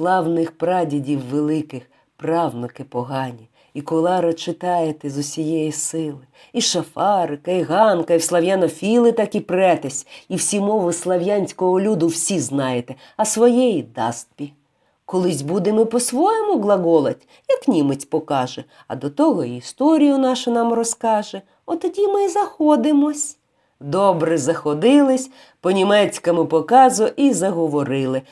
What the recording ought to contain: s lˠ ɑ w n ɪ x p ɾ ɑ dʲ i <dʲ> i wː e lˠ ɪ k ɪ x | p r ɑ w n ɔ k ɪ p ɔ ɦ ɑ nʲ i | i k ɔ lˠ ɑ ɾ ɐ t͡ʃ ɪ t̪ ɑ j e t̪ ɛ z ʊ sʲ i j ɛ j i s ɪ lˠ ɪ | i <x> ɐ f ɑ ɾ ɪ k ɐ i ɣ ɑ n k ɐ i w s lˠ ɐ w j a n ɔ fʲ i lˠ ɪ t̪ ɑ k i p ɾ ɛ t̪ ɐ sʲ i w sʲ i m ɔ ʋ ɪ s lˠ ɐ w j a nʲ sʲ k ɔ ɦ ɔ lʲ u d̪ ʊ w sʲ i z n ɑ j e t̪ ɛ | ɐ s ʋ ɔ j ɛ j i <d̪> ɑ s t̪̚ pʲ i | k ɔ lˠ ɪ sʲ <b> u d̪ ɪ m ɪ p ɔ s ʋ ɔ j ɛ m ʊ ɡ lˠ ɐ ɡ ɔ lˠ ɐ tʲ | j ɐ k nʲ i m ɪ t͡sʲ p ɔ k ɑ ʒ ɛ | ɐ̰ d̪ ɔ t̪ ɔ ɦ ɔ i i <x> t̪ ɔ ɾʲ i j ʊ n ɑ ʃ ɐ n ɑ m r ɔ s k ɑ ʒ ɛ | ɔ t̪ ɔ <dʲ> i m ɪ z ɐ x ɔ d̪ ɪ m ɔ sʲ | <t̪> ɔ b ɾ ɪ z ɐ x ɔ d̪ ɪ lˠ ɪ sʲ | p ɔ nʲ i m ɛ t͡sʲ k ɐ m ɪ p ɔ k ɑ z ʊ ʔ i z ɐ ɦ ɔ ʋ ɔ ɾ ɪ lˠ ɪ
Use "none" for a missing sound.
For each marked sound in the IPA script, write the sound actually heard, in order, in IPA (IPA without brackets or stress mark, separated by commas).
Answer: dʲ, ʃ, d̪, b, s, dʲ, d̪